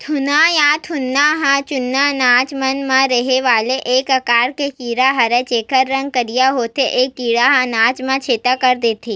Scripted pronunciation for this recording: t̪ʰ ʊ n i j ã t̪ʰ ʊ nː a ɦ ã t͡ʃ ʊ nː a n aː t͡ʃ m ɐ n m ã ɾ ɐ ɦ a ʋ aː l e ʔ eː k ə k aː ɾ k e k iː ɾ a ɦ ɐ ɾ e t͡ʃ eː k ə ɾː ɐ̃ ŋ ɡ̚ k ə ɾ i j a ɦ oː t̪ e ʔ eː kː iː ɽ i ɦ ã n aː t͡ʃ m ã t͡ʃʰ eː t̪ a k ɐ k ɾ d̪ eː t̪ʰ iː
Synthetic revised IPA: t̪ʰ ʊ n a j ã t̪ʰ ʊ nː a ɦ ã t͡ʃ ʊ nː a n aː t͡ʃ m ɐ n m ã ɾ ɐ ɦ e ʋ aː l e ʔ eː k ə k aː ɾ k e k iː ɾ a ɦ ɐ ɾ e t͡ʃ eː k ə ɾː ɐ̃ ŋ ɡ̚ k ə ɾ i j a ɦ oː t̪ e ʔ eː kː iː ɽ a ɦ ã n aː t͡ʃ m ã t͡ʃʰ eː t̪ a k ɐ ɾ d̪ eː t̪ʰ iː